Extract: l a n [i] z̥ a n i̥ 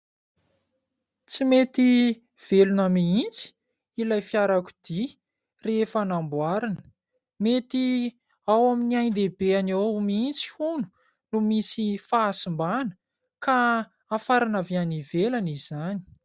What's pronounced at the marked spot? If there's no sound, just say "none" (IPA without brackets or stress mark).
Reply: i